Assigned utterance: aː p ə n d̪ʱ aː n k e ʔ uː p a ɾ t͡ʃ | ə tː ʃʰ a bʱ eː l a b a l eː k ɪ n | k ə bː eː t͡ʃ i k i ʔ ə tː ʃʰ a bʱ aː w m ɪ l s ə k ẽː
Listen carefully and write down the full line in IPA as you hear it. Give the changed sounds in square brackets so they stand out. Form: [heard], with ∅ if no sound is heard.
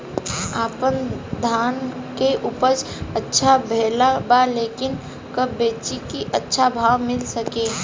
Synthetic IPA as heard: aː p ə n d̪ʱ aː n k e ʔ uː p [ə] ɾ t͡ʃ | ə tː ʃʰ a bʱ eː l a b a l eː k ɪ n | k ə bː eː t͡ʃ i k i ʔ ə tː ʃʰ a bʱ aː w m ɪ l s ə k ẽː